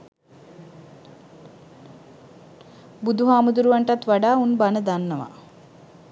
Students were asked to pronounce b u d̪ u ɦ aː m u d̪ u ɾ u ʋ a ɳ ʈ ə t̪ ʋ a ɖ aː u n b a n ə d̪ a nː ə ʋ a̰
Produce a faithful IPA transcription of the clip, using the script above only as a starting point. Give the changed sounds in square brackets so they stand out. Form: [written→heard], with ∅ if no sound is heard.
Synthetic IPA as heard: b u d̪ u ɦ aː m u d̪ u ɾ u ʋ a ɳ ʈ [ə→a] t̪ ʋ a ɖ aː u n b a n ə d̪ a nː ə ʋ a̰